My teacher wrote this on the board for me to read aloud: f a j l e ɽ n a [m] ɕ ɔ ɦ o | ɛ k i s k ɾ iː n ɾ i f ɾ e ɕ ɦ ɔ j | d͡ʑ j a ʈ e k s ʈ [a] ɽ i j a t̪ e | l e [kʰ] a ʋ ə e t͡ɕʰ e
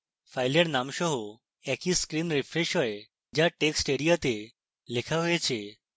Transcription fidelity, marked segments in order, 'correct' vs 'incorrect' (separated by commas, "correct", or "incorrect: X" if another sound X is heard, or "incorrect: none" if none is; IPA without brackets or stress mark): correct, incorrect: e, correct